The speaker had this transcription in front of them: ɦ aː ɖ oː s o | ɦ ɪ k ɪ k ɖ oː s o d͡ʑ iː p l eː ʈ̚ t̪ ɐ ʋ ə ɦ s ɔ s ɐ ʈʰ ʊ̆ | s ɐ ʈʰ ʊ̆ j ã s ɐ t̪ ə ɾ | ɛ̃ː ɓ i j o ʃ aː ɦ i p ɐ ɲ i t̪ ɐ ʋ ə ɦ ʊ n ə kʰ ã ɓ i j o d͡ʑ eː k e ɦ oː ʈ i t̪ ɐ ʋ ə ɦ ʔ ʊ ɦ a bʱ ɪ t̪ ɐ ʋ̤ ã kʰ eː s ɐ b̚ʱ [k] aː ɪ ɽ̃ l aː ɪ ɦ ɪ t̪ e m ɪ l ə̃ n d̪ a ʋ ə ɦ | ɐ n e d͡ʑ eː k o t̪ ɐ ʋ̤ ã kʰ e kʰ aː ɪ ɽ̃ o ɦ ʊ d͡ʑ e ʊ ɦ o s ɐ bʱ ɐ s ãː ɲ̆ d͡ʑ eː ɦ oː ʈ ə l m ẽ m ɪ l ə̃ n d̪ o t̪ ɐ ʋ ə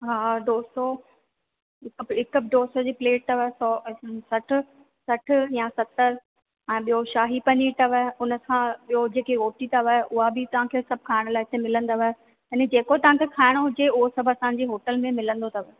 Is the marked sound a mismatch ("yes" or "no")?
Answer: yes